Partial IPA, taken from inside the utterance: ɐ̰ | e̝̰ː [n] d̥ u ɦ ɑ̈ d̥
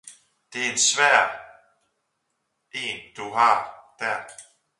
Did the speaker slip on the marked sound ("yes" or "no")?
no